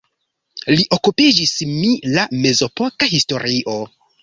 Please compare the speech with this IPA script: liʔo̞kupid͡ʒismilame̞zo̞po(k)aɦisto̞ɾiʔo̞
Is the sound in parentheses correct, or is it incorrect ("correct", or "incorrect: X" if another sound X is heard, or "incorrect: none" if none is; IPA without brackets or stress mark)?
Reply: correct